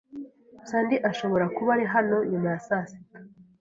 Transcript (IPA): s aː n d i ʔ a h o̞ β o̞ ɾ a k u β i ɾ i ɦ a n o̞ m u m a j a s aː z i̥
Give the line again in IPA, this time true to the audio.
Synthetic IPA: s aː n d i ʔ a ʃ o̞ β o̞ ɾ a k u β a ɾ i ɦ a n o̞ ɲ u m a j a s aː s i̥